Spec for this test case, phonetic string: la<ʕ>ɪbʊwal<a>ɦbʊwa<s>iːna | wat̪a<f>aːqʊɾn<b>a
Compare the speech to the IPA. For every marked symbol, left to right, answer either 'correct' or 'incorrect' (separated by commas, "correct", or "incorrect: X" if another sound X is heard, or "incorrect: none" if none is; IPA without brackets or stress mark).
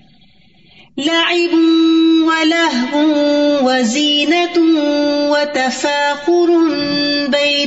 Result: correct, correct, incorrect: z, correct, correct